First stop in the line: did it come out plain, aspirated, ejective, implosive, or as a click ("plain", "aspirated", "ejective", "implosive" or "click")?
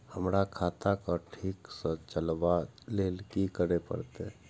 aspirated